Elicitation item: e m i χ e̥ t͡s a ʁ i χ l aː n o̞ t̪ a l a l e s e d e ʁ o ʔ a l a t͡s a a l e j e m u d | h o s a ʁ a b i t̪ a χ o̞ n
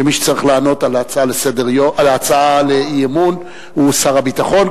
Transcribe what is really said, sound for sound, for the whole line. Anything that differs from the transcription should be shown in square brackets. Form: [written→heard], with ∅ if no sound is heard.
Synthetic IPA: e m i [χ→ʃ] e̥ t͡s a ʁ i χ l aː n o̞ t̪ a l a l e s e d e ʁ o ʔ a l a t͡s a a l e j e m u [d→n] | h [o→u] s a ʁ a b i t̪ a χ o̞ n